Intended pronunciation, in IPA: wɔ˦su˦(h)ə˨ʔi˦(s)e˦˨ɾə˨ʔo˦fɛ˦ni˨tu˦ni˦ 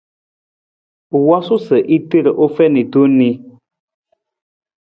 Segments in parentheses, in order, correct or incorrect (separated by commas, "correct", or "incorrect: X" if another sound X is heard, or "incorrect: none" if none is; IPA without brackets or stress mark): incorrect: s, incorrect: t